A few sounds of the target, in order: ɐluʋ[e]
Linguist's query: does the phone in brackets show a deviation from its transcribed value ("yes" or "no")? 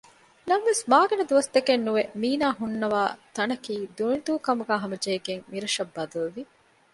yes